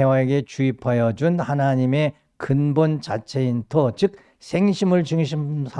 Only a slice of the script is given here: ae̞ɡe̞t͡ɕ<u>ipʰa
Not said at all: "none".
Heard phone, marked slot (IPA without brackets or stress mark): u